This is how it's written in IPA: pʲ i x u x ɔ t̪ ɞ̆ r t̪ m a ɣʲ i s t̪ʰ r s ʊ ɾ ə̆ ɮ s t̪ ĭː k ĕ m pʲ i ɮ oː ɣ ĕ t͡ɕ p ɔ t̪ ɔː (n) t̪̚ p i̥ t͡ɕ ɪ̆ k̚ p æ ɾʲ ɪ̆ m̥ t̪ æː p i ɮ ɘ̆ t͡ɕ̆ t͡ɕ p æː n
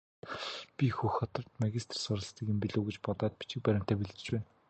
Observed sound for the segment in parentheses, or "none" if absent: none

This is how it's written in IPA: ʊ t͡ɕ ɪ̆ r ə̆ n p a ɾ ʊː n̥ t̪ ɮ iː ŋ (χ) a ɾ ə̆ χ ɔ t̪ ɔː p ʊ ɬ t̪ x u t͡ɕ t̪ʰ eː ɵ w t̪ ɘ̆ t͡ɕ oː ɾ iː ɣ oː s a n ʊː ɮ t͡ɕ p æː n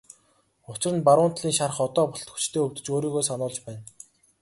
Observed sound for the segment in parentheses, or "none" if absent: ʃ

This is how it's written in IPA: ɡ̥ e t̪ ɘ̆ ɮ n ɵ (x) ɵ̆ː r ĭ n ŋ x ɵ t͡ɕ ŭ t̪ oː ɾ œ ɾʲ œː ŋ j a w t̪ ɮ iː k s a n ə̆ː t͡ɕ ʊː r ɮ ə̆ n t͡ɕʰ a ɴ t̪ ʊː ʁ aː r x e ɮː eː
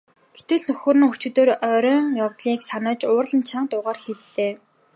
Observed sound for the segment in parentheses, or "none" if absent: x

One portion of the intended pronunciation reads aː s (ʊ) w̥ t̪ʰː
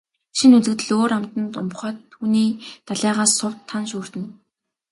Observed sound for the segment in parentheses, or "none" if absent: ʊ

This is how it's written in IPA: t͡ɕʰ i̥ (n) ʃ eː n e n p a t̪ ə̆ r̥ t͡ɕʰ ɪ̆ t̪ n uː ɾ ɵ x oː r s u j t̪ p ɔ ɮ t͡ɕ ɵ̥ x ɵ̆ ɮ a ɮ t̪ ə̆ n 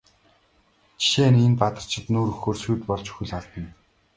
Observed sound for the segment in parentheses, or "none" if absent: none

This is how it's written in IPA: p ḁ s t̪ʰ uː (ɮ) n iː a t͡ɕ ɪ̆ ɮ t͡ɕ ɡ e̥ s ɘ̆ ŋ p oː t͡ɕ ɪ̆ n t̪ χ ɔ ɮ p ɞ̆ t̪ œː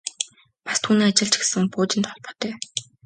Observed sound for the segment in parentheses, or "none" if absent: none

